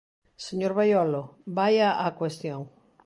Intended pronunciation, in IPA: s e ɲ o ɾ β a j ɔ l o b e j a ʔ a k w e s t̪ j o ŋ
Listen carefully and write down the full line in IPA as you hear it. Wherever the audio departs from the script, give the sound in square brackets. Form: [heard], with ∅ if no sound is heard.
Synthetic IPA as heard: s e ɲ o ɾ β a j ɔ l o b [a] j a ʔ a k w e s t̪ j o ŋ